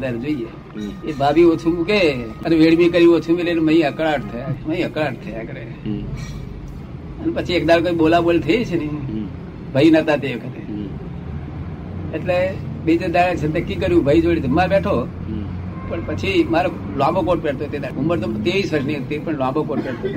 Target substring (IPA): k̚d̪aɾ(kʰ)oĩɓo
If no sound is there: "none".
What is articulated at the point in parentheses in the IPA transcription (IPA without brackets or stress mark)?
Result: k